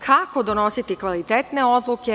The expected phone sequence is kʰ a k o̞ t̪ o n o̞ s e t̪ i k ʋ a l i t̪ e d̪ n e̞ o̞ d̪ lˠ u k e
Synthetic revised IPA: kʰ a k o̞ d̪ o n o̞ s i t̪ i k ʋ a l i t̪ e t̪ n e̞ o̞ d̪ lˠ u k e